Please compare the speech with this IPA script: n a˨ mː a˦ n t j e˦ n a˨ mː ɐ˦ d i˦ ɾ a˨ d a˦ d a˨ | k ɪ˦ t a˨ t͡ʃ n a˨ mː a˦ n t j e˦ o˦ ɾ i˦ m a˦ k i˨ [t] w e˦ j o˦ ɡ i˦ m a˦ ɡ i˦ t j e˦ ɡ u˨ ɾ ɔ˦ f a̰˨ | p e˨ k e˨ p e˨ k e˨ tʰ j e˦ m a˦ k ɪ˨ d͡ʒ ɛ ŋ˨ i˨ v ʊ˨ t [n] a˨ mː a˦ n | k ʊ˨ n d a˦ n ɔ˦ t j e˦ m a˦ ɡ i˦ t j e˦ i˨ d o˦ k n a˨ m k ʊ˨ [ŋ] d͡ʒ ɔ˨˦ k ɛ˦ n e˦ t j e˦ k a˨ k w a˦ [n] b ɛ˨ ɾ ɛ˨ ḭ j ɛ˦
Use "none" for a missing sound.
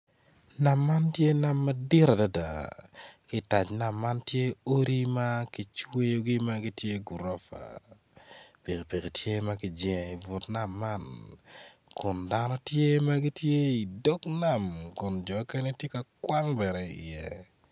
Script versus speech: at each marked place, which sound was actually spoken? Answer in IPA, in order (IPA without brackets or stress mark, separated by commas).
t͡ʃ, n, n, ŋ